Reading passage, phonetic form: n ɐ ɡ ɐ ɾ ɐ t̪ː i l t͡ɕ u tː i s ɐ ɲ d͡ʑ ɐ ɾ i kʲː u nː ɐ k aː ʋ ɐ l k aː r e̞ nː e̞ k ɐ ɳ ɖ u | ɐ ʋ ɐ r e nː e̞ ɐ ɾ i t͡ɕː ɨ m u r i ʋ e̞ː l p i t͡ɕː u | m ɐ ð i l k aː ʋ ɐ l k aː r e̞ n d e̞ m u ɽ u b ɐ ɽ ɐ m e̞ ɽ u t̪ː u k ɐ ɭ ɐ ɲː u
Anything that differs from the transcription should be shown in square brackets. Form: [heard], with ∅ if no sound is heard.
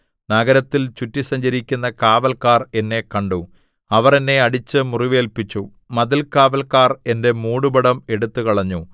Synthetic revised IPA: n ɐ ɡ ɐ ɾ ɐ t̪ː i l t͡ɕ u tː i s ɐ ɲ d͡ʑ ɐ ɾ i kʲː u nː ɐ k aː ʋ ɐ l k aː r e̞ nː e̞ k ɐ ɳ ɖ u | ɐ ʋ ɐ r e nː e̞ ɐ [ɽ] i t͡ɕː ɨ m u r i ʋ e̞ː l p i t͡ɕː u | m ɐ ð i l k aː ʋ ɐ l k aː r e̞ n d e̞ m [uː] ɽ u b ɐ ɽ ɐ m e̞ ɽ u t̪ː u k ɐ ɭ ɐ ɲː u